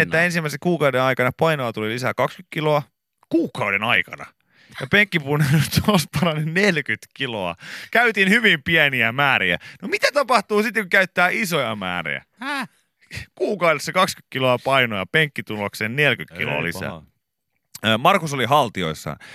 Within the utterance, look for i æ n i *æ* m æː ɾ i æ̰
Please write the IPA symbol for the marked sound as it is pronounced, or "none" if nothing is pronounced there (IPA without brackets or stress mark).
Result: æ